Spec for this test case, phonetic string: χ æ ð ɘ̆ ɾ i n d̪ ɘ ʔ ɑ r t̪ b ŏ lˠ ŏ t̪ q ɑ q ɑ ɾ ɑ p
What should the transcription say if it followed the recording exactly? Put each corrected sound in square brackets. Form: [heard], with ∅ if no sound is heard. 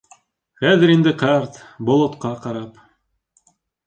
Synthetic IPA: χ æ ð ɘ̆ ɾ i n d̪ ɘ [q] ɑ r t̪ b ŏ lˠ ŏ t̪ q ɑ q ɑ ɾ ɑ p

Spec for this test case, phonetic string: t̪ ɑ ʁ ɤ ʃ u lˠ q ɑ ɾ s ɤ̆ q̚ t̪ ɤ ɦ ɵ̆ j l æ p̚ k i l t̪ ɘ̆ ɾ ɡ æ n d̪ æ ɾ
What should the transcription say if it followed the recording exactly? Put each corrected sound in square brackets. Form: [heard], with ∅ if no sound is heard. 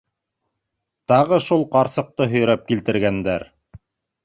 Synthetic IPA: t̪ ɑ ʁ ɤ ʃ u lˠ q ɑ ɾ s ɤ̆ q̚ t̪ ɤ ɦ ɵ̆ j [ɾ] æ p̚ k i l t̪ ɘ̆ ɾ ɡ æ n d̪ æ ɾ

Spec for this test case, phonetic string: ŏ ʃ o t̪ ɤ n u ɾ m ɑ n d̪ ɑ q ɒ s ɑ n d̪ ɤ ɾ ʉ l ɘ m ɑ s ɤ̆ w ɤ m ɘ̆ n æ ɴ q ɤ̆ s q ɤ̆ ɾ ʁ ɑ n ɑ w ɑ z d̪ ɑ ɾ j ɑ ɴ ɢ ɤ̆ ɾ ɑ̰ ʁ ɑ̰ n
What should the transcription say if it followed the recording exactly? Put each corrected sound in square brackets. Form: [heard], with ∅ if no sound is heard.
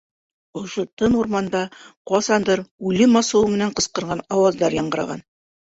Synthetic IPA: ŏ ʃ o t̪ ɤ n u ɾ m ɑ n d̪ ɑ q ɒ s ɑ n d̪ ɤ ɾ ʉ l ɘ m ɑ s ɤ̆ w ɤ m ɘ̆ n æ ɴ q ɤ̆ s q ɤ̆ ɾ ʁ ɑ n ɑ w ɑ z d̪ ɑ ɾ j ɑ ɴ ɢ ɤ̆ ɾ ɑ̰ ʁ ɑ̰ n

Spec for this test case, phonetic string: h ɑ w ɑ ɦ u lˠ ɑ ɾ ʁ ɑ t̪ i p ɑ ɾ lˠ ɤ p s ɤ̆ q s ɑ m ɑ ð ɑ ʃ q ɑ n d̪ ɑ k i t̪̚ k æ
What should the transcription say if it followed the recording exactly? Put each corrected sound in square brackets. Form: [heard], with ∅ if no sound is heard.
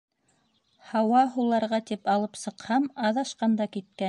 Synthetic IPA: h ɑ w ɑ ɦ u lˠ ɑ ɾ ʁ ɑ t̪ i p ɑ [∅] lˠ ɤ p s ɤ̆ q [h] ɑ m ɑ ð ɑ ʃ q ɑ n d̪ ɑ k i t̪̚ k æ

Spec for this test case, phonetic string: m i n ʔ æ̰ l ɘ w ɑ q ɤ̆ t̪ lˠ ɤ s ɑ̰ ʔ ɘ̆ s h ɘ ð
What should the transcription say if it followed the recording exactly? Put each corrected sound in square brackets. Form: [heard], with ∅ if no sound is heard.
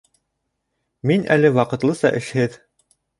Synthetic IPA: m i n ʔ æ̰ l ɘ w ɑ q ɤ̆ t̪ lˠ ɤ s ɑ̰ ʔ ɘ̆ [ʃ] h ɘ ð

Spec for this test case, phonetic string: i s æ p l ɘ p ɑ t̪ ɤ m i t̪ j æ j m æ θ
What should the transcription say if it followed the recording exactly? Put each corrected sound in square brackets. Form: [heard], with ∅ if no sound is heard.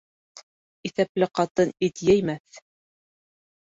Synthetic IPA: i [θ] æ p l ɘ [q] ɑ t̪ ɤ [n] i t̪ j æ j m æ θ

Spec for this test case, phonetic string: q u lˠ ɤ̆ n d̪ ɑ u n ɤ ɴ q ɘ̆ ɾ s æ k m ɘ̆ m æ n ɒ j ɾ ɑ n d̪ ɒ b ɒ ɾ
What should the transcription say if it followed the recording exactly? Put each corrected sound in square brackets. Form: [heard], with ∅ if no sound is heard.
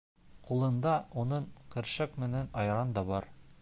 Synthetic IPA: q u lˠ ɤ̆ n d̪ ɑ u n ɤ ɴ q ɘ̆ ɾ [ʃ] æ k m ɘ̆ [n] æ n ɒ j ɾ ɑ n d̪ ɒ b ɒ ɾ

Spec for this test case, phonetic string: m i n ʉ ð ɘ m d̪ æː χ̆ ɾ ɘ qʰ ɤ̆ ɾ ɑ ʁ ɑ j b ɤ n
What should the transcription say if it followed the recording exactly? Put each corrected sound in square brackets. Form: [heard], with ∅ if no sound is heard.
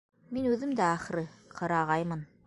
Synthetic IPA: m i n ʉ ð ɘ m d̪ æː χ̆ ɾ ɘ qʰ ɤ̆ ɾ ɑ ʁ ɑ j [m] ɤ n

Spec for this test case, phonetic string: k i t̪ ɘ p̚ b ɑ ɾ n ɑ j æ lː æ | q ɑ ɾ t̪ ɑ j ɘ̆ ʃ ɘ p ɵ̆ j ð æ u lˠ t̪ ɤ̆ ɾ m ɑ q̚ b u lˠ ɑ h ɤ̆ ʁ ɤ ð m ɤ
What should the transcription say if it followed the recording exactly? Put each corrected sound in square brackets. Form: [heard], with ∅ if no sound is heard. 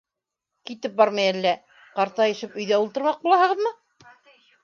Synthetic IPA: k i t̪ ɘ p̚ b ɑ ɾ [m] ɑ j æ lː æ | q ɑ ɾ t̪ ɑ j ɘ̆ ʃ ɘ p ɵ̆ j ð æ u lˠ t̪ ɤ̆ ɾ m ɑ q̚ b u lˠ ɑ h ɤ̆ ʁ ɤ ð m ɤ

